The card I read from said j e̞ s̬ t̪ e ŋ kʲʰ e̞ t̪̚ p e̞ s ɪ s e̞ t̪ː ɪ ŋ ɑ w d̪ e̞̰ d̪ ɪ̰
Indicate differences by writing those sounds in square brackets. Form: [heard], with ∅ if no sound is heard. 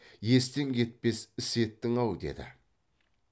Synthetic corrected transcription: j e̞ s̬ t̪ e ŋ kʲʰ e̞ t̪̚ p e̞ s ɪ s e̞ t̪ː ɪ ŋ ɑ w d̪ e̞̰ d̪ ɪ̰